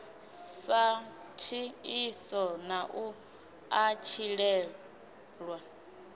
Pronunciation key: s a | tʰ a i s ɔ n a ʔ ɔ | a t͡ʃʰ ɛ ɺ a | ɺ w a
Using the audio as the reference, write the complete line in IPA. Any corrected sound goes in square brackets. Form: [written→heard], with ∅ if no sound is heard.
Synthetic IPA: s a | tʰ [a→i] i s ɔ n a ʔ [ɔ→u] | a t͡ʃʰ [ɛ→i] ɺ [a→ɛ] | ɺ w a